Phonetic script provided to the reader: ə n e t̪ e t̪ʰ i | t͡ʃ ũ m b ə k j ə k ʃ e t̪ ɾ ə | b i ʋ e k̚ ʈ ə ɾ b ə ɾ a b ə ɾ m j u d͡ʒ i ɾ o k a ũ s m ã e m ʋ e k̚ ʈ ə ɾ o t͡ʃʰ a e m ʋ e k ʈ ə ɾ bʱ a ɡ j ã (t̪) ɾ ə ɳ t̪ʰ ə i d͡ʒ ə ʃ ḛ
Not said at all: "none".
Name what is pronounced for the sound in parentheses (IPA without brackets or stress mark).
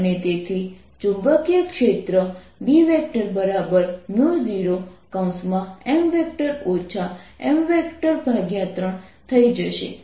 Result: t̪